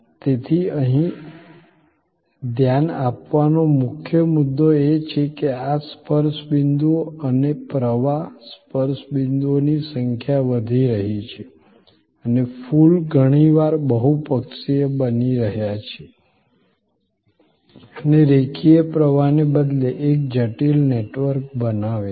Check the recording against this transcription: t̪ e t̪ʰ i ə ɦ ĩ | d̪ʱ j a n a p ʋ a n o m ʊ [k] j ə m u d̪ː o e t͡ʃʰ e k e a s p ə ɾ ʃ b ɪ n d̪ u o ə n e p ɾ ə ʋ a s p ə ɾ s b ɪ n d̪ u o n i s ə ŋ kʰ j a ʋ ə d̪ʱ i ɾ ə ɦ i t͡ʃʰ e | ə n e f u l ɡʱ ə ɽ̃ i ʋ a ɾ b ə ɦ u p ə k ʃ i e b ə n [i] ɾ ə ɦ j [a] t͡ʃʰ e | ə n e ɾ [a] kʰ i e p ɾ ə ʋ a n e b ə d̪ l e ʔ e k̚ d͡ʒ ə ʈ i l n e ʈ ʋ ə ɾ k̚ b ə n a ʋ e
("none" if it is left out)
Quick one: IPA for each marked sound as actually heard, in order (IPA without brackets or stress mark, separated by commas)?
kʰ, i, a, e